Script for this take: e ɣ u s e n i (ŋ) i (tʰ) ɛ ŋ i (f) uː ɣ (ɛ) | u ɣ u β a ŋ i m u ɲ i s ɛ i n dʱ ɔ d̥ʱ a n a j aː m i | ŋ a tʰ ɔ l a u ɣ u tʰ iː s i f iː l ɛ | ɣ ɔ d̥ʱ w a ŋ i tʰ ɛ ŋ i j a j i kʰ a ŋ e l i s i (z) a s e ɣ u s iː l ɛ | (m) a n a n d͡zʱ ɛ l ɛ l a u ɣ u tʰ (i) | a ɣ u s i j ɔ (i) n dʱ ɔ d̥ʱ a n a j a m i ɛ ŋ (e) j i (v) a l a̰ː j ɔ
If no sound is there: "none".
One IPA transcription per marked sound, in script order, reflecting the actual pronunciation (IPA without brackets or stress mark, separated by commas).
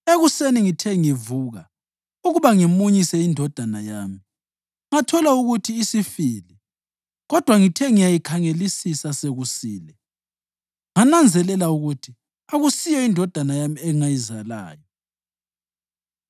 ŋ, tʰ, v, a, s, ŋ, i, i, a, z